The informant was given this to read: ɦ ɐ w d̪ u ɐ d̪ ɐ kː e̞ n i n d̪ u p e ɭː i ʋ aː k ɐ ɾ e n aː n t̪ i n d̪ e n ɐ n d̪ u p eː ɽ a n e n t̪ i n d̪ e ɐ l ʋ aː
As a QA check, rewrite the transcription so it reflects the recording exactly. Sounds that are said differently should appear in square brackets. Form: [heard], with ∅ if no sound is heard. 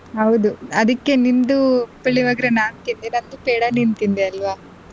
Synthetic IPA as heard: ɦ ɐ w d̪ u ɐ d̪ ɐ kː e̞ n i n d̪ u p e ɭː i ʋ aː [ɡ] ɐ ɾ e n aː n t̪ i n d̪ e n ɐ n d̪ u p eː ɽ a n [i] n t̪ i n d̪ e ɐ l ʋ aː

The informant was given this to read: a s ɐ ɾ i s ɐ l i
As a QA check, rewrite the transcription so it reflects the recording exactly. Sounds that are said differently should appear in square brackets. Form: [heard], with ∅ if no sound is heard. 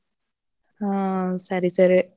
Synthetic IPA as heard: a s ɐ ɾ i s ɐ [ɾ] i

